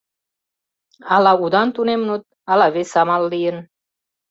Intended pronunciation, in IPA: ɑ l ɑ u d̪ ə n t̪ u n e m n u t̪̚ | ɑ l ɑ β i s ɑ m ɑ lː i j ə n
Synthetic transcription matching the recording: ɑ l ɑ u d̪ ɑ n t̪ u n e m n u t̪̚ | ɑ l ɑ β e s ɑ m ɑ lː i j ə n